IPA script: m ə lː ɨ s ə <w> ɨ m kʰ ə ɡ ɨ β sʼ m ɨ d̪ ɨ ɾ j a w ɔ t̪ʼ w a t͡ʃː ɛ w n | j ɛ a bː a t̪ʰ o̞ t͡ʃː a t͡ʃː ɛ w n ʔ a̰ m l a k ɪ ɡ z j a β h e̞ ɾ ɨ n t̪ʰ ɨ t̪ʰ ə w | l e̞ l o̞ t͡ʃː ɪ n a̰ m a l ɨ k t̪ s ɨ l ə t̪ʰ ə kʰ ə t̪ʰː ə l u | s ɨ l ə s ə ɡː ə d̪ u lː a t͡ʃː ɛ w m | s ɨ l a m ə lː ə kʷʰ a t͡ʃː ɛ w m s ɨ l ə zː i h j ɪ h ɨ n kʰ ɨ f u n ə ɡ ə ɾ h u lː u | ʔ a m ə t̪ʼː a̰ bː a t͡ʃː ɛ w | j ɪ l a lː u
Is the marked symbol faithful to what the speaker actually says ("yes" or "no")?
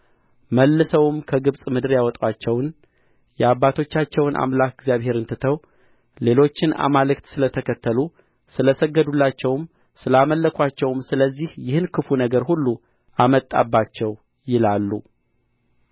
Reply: yes